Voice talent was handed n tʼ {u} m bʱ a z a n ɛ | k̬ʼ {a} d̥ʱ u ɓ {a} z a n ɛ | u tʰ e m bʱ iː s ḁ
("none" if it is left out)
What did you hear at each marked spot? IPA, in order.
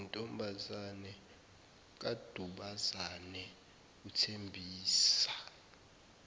ɔ, a, a

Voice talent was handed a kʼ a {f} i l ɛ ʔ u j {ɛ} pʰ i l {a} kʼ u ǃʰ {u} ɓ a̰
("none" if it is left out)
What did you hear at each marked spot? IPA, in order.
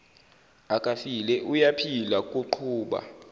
f, a, a, uː

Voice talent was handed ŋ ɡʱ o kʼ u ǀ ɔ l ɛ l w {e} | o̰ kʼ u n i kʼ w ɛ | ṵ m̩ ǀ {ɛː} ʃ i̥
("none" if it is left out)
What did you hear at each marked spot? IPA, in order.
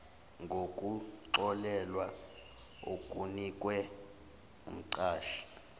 a, aː

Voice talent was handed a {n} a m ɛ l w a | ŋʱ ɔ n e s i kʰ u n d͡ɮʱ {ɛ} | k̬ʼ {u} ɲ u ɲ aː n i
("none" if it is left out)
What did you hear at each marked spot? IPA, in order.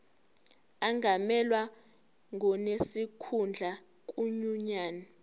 ŋ, a, u

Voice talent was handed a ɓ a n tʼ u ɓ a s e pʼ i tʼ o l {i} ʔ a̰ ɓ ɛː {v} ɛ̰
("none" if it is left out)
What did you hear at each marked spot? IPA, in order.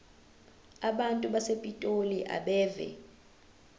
i, v

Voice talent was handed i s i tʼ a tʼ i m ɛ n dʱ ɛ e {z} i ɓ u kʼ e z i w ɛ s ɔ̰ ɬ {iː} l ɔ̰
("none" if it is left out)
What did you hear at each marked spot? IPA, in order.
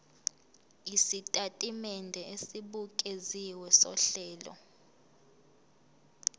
s, ɛː

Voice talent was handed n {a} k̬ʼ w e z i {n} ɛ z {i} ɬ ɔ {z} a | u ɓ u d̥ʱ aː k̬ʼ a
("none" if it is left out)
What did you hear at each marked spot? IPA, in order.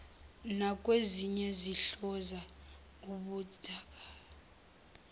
a, ɲ, i, z

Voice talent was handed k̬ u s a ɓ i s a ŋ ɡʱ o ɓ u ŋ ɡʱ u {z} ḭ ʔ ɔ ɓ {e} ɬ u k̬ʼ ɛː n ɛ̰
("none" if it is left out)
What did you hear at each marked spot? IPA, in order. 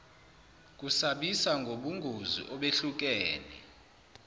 z, e

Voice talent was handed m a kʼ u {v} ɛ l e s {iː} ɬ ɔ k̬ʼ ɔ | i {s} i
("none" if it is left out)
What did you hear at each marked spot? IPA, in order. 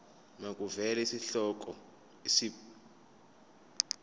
v, i, s

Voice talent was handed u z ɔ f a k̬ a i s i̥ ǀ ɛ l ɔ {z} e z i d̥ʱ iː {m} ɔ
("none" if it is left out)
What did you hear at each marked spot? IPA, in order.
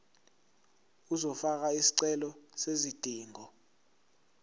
s, ŋ

